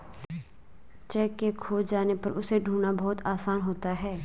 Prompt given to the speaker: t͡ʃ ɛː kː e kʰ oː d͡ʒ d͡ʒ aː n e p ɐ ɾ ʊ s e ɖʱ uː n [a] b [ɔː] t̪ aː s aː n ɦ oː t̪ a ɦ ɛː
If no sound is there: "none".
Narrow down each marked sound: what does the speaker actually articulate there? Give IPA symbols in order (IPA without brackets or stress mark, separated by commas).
a, ɔː